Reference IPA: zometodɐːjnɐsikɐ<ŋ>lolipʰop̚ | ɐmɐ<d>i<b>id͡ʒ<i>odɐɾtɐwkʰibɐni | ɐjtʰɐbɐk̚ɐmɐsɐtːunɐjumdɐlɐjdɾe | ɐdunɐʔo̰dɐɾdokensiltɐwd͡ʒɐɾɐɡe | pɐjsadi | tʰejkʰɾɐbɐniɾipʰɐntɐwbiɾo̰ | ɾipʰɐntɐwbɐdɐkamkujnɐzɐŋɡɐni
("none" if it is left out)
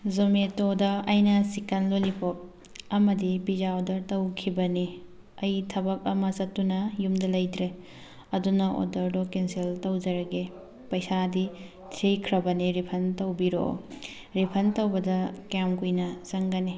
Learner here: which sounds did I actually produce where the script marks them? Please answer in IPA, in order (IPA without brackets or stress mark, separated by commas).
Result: n, d, b, a